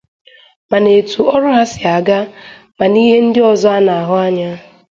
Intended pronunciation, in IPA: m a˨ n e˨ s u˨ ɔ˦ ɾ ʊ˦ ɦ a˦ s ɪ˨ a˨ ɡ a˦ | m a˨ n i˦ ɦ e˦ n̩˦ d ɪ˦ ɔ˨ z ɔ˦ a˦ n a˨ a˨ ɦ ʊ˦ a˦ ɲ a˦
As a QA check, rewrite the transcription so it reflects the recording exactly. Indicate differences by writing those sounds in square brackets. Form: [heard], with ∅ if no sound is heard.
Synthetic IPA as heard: m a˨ n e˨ [t] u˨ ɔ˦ ɾ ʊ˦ ɦ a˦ s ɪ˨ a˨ ɡ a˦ | m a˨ n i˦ ɦ e˦ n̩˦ d ɪ˦ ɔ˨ z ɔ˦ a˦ n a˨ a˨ ɦ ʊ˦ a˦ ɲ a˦